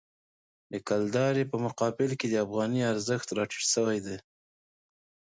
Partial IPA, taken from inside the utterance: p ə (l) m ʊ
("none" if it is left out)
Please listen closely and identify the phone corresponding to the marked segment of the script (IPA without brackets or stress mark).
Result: none